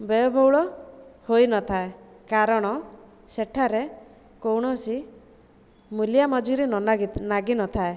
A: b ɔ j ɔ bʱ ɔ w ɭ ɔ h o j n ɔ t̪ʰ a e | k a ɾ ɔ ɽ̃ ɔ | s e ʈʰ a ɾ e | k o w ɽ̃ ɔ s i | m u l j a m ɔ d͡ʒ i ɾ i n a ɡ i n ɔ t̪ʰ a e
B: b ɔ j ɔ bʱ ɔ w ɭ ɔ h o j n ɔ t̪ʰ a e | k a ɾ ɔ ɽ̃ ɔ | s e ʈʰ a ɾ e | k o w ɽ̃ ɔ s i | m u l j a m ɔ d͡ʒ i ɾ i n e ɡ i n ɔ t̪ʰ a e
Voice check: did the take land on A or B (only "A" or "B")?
A